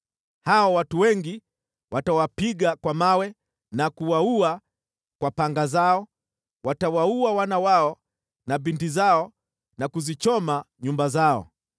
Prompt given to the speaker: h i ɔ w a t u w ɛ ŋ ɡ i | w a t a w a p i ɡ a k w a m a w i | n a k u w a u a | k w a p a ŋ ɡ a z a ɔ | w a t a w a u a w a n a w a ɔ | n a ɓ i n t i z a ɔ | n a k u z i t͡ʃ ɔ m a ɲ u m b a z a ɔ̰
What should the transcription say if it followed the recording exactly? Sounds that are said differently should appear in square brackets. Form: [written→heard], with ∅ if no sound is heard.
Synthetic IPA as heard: h [i→a] ɔ w a t u w ɛ ŋ ɡ i | w a t a w a p i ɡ a k w a m a w [i→ɛ] | n a k u w a u a | k w a p a ŋ ɡ a z a ɔ | w a t a w a u a w a n a w a ɔ | n a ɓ i n t i z a ɔ | n a k u z i t͡ʃ ɔ m a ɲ u m b a z a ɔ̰